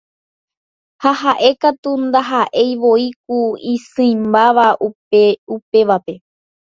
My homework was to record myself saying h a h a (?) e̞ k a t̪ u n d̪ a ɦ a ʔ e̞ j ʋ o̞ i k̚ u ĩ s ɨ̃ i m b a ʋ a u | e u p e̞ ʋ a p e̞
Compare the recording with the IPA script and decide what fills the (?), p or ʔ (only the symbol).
ʔ